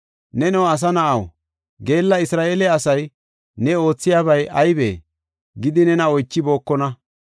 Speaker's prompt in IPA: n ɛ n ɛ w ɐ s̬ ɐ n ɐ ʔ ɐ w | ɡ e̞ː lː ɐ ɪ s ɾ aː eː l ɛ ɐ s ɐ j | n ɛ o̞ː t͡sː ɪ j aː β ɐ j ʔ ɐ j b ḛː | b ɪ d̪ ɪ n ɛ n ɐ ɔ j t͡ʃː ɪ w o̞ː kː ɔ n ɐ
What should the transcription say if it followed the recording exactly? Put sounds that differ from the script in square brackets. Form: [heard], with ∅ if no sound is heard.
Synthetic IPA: n ɛ n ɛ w ɐ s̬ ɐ n ɐ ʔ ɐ w | ɡ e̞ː lː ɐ ɪ s ɾ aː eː l ɛ ɐ s ɐ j | n ɛ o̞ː t͡sː ɪ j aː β ɐ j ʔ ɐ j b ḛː | [ɡ] ɪ d̪ ɪ n ɛ n ɐ ɔ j t͡ʃː ɪ [b] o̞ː kː ɔ n ɐ

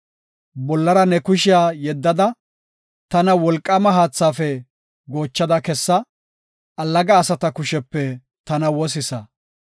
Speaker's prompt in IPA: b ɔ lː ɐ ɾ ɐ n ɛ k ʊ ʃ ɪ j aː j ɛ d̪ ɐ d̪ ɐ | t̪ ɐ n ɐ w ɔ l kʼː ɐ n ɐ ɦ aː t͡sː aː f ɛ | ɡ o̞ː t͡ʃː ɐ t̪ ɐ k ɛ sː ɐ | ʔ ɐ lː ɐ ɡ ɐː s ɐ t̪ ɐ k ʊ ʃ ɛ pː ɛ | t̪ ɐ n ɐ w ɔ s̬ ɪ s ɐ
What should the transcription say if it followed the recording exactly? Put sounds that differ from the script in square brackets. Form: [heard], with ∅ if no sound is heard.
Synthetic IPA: b ɔ lː ɐ ɾ ɐ n ɛ k ʊ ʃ ɪ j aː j ɛ [d̪ː] ɐ d̪ ɐ | t̪ ɐ n ɐ w ɔ l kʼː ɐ [m] ɐ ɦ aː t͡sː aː f ɛ | ɡ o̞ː t͡ʃː ɐ [d̪] ɐ k ɛ sː ɐ | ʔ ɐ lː ɐ ɡ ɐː s ɐ t̪ ɐ k ʊ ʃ ɛ pː ɛ | t̪ ɐ n ɐ w ɔ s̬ ɪ s ɐ

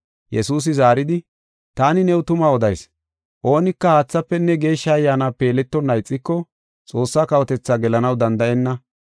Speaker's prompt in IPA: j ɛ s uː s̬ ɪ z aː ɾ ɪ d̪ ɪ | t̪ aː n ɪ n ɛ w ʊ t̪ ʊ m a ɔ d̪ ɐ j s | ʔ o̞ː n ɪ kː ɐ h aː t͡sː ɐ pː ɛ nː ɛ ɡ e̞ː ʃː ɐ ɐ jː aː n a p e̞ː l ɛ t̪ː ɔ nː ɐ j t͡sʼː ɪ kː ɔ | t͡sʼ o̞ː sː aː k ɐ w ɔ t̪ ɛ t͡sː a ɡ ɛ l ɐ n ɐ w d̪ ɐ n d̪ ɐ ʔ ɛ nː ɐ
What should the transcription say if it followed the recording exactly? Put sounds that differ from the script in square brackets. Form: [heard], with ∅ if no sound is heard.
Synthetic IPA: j ɛ s uː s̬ ɪ z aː ɾ ɪ d̪ ɪ | t̪ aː n ɪ n ɛ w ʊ t̪ ʊ m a ɔ d̪ ɐ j s | ʔ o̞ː n ɪ kː ɐ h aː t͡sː ɐ pː ɛ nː ɛ ɡ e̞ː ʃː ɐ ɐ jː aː n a p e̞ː l ɛ t̪ː ɔ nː ɐ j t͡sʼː ɪ kː ɔ | t͡sʼ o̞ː sː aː k ɐ w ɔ t̪ ɛ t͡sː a ɡ ɛ l ɐ n ɐ w d̪ ɐ n d̪ ɐ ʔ ɛ nː ɐ

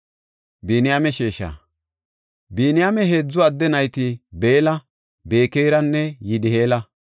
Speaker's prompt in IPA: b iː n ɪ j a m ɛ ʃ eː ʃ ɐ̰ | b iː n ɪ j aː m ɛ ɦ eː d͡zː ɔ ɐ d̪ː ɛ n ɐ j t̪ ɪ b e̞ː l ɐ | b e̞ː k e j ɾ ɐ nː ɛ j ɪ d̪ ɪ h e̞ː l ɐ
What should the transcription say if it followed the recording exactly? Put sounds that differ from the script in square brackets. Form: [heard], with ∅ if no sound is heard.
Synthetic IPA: b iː n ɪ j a m ɛ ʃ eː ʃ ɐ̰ | b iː n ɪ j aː m ɛ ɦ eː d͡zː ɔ ɐ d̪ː ɛ n ɐ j t̪ ɪ b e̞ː l ɐ | b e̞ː k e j ɾ ɐ nː ɛ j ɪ d̪ ɪ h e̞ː l ɐ

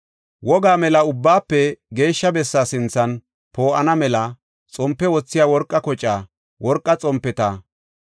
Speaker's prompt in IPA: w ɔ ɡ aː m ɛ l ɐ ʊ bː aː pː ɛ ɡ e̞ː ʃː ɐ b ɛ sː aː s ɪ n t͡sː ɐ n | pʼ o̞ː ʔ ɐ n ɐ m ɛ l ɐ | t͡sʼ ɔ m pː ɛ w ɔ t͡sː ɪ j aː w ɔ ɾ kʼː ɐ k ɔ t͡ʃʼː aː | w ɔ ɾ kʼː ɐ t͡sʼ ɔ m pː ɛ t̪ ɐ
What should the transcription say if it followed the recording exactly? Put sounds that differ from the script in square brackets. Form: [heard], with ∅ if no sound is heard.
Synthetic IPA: w ɔ ɡ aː m ɛ l ɐ ʊ bː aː pː ɛ ɡ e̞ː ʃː ɐ b ɛ sː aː s ɪ n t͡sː ɐ n | [p] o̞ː ʔ ɐ n ɐ m ɛ l ɐ | t͡sʼ ɔ m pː ɛ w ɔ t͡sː ɪ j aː w ɔ ɾ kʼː ɐ k ɔ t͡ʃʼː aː | w ɔ ɾ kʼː ɐ t͡sʼ ɔ m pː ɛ t̪ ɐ

